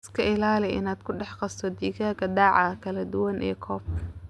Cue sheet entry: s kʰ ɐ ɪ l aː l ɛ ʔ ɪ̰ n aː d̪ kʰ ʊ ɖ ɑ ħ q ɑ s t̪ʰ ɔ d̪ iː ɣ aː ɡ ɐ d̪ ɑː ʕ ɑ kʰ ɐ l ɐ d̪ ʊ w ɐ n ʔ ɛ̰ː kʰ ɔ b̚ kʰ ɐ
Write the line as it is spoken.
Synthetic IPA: s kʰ ɐ ɪ l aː l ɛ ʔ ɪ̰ n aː d̪ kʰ ʊ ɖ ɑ ħ q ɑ s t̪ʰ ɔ d̪ iː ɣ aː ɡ ɐ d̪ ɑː ʕ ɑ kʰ ɐ l ɐ d̪ ʊ w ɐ n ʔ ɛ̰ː kʰ ɔː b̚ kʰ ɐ